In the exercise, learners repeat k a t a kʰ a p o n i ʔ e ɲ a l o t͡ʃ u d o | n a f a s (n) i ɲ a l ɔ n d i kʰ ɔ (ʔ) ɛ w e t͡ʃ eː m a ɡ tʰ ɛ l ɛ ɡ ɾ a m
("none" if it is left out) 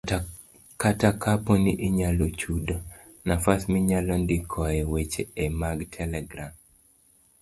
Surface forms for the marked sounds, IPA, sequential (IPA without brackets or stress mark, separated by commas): m, none